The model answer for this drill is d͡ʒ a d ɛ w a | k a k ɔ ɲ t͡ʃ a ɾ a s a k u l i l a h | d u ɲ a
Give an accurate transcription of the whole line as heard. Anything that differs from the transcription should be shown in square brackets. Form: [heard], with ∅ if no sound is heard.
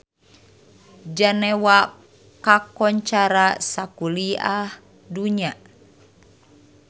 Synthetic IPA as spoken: d͡ʒ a [n] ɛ w a | k a k ɔ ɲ t͡ʃ a ɾ a s a k u l i [∅] a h | d u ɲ a